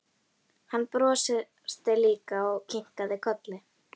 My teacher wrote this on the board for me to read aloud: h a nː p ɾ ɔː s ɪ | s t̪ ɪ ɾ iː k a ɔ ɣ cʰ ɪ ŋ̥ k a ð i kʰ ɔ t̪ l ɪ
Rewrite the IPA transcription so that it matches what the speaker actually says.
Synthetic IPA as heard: h a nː p ɾ ɔː s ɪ | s t̪ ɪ l iː k a ɔ ɣ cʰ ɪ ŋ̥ k a ð ɪ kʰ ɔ t̪ l ɪ